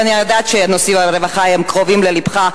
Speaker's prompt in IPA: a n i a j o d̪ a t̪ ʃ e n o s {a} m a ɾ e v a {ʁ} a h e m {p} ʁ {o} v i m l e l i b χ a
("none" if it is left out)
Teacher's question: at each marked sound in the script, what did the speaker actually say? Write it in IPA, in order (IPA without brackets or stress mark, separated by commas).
i, χ, k, o